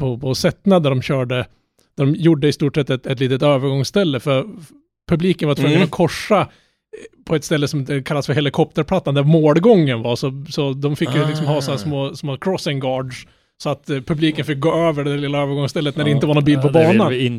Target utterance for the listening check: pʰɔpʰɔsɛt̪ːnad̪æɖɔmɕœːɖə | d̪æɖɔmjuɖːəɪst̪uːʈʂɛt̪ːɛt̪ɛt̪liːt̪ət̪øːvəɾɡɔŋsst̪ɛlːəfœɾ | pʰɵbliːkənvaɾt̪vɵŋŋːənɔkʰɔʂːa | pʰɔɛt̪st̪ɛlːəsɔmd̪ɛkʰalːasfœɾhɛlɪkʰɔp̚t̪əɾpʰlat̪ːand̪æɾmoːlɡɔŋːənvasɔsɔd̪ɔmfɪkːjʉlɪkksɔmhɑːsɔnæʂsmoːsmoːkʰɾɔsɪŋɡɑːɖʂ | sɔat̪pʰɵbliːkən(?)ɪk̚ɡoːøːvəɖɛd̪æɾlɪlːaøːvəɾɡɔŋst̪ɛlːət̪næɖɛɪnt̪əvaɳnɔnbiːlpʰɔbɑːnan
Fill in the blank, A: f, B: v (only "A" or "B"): A